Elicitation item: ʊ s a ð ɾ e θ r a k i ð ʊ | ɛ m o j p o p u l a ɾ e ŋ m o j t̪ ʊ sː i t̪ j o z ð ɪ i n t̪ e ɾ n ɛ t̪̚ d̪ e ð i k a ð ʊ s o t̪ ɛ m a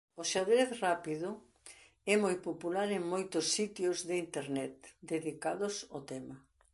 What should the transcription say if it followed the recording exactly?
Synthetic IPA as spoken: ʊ ʃ a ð ɾ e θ r a p i ð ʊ | ɛ m o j p o p u l a ɾ e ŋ m o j t̪ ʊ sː i t̪ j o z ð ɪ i n t̪ e ɾ n ɛ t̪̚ d̪ e ð i k a ð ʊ s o t̪ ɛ m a